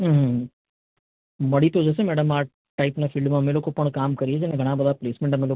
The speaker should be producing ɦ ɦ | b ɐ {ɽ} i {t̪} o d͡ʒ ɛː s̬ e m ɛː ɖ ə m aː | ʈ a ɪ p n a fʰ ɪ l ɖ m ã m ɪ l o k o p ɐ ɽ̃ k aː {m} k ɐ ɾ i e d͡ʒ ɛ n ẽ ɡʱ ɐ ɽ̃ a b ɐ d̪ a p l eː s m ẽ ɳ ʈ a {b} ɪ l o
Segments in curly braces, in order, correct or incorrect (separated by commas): correct, correct, correct, incorrect